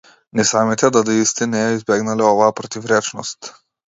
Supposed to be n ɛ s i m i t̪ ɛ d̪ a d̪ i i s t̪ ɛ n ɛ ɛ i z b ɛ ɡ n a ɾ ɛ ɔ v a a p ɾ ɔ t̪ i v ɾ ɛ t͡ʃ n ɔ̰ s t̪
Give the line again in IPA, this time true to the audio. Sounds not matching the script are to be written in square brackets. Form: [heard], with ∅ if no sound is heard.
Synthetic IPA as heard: n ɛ s [a] m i t̪ ɛ d̪ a d̪ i i s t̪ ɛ n ɛ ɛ i z b ɛ ɡ n a [l] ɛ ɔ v a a p ɾ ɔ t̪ i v ɾ ɛ t͡ʃ n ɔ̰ s t̪